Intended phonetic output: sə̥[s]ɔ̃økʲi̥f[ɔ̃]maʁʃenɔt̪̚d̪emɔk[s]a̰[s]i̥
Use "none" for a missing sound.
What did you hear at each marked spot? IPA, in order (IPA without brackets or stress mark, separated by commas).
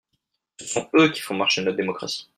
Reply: s, ɔ̃, χ, s